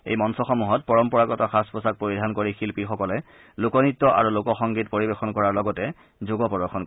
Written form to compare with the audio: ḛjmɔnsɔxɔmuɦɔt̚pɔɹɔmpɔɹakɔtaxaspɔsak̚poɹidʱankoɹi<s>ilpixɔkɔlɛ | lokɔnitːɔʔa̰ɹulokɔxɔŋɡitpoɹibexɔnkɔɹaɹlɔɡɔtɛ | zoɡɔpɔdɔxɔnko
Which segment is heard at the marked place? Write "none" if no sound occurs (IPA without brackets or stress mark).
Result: x